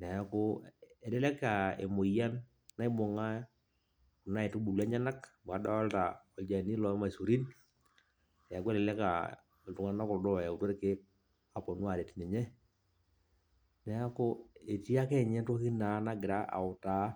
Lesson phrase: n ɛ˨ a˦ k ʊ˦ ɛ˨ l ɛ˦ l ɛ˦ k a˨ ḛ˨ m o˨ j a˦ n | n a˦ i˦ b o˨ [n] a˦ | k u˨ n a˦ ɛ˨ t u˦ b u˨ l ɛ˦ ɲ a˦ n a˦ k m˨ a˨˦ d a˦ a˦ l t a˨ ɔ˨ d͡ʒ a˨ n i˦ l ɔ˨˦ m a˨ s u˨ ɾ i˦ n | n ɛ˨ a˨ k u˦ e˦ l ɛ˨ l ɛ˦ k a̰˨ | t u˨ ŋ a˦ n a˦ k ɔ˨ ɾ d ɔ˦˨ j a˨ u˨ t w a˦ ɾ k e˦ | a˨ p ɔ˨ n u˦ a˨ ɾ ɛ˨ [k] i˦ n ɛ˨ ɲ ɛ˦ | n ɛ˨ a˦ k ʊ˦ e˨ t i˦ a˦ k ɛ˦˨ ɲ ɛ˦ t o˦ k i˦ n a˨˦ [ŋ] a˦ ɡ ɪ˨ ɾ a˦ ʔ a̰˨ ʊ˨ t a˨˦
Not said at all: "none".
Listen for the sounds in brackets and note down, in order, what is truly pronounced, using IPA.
ŋ, t, n

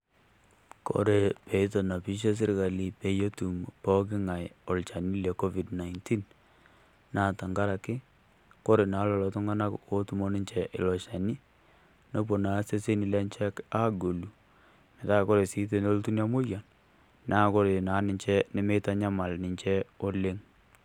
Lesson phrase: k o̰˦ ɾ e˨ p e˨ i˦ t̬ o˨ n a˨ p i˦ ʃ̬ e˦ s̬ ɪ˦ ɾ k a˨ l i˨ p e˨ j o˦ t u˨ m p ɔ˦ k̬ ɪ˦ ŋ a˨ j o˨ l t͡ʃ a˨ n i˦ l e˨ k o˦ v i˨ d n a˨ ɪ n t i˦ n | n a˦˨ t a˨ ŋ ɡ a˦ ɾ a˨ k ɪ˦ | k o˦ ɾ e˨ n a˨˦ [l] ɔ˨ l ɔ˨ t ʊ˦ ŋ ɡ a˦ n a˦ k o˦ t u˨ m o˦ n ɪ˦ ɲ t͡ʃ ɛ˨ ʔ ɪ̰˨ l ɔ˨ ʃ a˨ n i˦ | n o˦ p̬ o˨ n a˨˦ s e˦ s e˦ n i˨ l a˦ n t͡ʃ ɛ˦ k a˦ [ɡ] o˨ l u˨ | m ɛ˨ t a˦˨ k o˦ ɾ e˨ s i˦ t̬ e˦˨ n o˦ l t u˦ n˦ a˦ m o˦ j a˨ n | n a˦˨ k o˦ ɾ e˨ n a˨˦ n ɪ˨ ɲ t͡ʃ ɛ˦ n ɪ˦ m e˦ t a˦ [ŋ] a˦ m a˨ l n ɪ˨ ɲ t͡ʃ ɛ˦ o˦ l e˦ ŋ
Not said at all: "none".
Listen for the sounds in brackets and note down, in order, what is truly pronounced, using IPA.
l, ɡ, ɲ

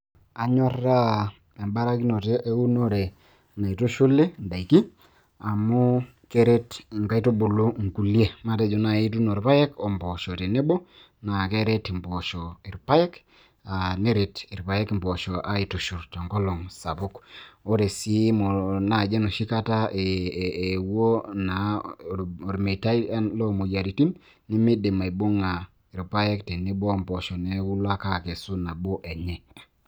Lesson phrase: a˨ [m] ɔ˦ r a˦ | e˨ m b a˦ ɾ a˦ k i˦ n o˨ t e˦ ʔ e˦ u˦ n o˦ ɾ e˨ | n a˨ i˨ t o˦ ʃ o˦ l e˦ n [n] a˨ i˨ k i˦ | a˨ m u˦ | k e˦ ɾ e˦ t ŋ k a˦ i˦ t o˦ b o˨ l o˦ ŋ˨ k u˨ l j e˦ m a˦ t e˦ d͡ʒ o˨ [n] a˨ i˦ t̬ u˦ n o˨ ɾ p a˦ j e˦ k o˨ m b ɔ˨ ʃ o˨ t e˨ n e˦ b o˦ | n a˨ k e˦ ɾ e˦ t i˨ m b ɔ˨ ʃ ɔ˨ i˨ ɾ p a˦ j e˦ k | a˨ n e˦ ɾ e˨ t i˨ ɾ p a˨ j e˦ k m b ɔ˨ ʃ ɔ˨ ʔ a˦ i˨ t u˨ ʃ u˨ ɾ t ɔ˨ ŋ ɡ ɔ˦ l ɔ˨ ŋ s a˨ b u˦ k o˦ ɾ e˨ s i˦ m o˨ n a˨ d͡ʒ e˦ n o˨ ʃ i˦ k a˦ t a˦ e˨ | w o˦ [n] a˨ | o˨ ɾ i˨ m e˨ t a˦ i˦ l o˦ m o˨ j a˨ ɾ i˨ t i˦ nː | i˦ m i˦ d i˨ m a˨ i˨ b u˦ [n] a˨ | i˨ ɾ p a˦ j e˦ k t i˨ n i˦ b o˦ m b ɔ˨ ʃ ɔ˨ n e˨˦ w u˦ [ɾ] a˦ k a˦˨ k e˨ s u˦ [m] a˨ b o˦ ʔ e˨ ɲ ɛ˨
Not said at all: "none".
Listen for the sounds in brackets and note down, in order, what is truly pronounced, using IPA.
ɲ, d, n, n, ŋ, l, n

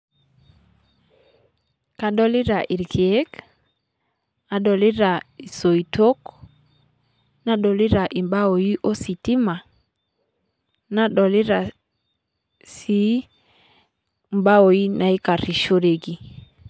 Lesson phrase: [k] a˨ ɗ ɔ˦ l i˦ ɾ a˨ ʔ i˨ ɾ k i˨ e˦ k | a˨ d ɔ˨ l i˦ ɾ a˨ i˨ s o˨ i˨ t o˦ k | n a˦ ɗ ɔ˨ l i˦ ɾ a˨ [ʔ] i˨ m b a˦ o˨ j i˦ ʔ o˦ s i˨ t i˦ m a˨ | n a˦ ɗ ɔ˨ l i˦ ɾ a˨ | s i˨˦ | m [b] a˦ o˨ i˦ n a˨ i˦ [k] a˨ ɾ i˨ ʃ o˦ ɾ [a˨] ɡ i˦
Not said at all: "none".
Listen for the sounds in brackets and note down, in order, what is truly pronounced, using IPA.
k, ʔ, b, k, e˨

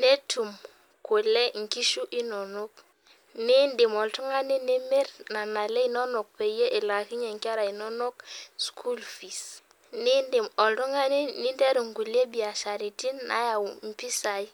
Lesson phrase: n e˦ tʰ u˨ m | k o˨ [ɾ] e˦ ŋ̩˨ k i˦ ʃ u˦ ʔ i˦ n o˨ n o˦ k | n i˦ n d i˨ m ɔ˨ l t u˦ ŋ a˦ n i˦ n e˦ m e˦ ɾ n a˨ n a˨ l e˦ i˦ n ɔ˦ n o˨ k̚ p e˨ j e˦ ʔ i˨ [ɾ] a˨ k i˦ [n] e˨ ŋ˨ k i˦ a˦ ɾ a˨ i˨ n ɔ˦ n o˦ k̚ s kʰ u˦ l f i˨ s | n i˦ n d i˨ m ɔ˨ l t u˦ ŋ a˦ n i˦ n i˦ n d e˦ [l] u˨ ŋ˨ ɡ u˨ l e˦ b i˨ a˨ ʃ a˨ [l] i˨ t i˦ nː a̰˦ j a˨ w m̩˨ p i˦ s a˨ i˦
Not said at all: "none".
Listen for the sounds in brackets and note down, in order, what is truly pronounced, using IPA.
l, l, ɲ, ɾ, ɾ

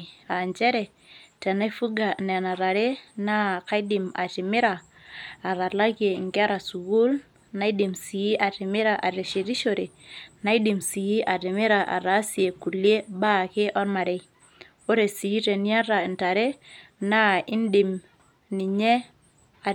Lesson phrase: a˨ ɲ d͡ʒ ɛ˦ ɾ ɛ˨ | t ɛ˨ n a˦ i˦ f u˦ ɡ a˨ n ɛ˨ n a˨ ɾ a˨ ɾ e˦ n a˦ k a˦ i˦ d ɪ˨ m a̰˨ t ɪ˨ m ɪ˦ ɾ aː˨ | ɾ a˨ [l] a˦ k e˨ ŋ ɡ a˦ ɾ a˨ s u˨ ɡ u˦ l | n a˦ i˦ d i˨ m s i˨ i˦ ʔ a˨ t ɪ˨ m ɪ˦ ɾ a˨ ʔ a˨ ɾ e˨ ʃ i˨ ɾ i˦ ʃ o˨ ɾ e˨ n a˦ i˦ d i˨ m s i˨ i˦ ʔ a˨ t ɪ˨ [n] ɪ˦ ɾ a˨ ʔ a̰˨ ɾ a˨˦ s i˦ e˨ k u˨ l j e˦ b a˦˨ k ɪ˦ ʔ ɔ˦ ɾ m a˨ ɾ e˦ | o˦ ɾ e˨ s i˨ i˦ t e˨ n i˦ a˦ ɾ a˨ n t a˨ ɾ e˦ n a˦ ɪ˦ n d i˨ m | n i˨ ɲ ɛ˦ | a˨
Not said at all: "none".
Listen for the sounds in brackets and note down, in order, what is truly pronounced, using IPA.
l, m

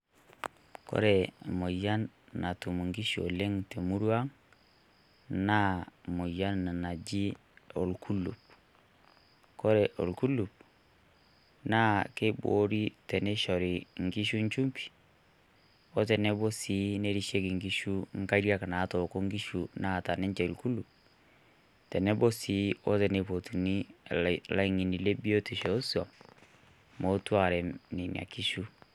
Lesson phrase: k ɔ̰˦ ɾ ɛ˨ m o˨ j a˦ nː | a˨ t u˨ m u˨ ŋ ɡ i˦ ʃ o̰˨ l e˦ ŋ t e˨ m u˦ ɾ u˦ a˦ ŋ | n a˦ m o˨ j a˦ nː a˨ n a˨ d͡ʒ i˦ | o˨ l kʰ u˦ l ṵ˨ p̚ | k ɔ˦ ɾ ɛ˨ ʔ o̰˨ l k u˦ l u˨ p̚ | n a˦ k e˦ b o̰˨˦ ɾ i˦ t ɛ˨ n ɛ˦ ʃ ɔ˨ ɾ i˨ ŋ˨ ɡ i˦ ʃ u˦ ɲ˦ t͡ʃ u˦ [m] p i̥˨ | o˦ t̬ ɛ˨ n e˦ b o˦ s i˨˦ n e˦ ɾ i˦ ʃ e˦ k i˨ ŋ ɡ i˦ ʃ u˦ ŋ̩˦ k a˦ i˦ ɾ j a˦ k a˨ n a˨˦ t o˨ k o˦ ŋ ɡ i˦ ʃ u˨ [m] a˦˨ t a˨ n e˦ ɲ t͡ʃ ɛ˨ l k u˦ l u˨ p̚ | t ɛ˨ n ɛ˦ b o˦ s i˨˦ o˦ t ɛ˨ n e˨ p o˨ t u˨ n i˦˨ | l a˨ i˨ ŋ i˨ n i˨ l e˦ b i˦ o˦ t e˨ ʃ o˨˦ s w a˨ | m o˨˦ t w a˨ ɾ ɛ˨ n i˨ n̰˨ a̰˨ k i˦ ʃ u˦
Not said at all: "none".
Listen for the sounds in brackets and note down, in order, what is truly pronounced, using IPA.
m, n

